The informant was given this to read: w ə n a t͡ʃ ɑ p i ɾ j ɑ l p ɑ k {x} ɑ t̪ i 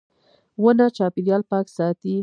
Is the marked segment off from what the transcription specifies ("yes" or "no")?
yes